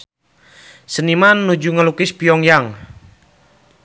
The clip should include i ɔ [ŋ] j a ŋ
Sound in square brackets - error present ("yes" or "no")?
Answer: no